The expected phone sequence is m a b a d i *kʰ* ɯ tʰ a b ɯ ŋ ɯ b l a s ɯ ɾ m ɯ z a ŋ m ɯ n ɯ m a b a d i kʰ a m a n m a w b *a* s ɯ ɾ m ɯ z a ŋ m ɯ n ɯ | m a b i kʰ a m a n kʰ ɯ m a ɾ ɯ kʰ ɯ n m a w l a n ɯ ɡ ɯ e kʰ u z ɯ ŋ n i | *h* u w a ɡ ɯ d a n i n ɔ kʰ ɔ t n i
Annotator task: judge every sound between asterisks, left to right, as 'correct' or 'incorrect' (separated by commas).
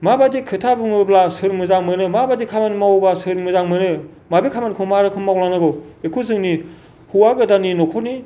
correct, correct, correct